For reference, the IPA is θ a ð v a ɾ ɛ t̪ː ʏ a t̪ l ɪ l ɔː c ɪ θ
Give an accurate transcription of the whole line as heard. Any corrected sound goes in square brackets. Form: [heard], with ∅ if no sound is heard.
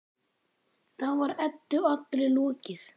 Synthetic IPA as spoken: θ a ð v a ɾ ɛ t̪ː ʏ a t̪ l ɪ l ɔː c ɪ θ